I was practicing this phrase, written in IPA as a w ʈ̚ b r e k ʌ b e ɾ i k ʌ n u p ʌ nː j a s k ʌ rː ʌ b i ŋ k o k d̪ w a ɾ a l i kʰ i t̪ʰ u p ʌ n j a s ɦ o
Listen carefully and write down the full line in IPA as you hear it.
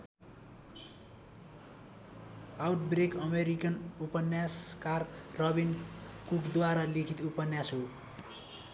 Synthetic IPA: a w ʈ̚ b r e k ʌ m e ɾ i k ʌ n u p ʌ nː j a s k a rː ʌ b i n k u k d̪ w a ɾ a l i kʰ i t̪ u p ʌ n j a s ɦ o